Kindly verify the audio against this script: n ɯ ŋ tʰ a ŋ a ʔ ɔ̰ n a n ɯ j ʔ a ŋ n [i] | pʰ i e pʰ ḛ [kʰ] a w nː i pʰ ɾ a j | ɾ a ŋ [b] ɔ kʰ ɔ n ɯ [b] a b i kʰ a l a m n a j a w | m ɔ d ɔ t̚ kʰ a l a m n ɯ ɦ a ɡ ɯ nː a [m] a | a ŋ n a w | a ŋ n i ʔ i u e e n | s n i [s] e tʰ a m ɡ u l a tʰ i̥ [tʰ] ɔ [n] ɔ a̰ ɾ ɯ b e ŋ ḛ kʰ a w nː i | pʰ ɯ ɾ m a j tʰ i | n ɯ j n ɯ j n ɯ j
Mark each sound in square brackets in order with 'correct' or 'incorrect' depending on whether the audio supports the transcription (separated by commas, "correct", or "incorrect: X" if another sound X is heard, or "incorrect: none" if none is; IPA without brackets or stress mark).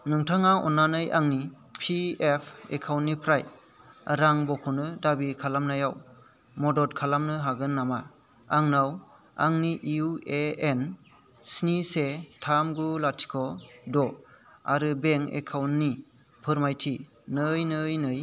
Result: correct, correct, correct, incorrect: d, correct, correct, incorrect: kʰ, incorrect: d